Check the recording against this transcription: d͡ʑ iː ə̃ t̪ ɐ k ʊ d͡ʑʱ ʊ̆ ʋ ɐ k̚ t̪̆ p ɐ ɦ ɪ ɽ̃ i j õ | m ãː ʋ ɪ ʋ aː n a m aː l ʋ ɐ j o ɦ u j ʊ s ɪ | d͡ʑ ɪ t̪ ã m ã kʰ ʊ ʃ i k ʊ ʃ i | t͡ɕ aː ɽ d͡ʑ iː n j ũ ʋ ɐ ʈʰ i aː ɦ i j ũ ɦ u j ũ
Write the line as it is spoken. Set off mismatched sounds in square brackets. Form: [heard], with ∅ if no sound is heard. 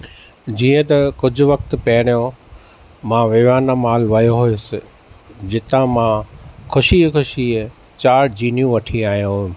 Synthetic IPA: d͡ʑ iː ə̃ t̪ ɐ k ʊ d͡ʑʱ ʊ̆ ʋ ɐ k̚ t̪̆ p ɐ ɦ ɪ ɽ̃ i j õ | m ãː ʋ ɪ ʋ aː n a m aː l ʋ ɐ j o ɦ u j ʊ s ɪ | d͡ʑ ɪ t̪ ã m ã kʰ ʊ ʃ i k ʊ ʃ i | t͡ɕ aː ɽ d͡ʑ iː n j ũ ʋ ɐ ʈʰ i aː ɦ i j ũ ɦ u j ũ